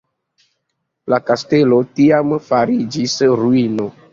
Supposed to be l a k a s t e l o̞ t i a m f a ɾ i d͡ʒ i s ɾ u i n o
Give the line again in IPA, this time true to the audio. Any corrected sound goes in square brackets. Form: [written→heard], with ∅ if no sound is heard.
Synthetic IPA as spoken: l a k a s t e l o̞ t i a m f a ɾ i d͡ʒ i s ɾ u i n o